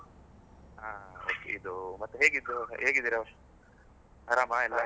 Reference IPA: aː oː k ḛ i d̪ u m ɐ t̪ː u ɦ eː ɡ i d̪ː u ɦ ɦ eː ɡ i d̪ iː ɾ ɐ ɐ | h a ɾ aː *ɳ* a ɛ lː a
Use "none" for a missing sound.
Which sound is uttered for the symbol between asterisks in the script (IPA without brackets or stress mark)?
m